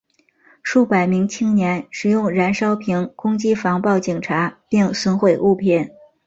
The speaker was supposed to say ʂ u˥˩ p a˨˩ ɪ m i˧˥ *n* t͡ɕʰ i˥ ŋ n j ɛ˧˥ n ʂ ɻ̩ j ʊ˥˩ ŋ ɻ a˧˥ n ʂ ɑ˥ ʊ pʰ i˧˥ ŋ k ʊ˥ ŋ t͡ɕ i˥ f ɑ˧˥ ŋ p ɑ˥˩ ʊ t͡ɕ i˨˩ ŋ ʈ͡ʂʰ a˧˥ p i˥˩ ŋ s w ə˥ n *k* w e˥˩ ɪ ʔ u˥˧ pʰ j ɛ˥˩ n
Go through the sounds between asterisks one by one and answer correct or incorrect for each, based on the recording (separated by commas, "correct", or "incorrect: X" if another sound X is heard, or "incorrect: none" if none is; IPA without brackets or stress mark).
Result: incorrect: ŋ, incorrect: x